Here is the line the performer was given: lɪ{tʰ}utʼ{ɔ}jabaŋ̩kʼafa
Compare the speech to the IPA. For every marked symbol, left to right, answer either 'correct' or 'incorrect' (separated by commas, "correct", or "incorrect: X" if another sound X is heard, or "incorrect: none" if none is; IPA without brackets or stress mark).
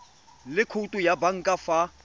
incorrect: kʰ, incorrect: u